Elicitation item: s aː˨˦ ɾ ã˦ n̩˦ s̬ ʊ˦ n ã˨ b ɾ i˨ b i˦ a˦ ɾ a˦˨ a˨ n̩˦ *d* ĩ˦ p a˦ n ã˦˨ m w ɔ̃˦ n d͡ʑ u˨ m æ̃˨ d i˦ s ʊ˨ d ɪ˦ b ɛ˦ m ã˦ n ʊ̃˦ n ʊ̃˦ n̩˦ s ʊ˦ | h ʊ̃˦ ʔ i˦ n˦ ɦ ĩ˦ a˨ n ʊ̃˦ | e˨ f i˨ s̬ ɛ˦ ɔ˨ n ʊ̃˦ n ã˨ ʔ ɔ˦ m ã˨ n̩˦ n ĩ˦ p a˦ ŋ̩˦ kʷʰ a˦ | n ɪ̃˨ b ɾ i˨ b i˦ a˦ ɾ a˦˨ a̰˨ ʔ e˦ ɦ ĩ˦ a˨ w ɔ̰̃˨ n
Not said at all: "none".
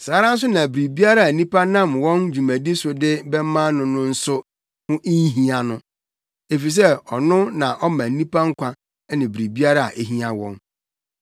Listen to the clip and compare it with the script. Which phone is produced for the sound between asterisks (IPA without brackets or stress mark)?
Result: n